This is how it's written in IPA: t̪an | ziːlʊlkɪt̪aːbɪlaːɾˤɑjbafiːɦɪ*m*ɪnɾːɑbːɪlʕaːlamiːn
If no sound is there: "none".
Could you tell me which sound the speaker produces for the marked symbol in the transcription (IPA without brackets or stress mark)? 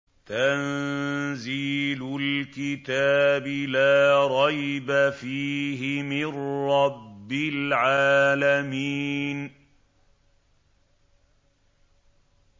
m